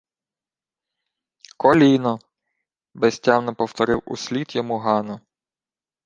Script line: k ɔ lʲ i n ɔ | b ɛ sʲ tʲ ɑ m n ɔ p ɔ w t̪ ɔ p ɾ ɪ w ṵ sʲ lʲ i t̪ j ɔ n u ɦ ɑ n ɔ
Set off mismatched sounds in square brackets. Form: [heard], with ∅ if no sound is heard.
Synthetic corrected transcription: k ɔ lʲ i n ɔ | b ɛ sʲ tʲ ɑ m n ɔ p ɔ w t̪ ɔ [∅] ɾ ɪ w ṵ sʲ lʲ i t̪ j ɔ [m] u ɦ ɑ n ɔ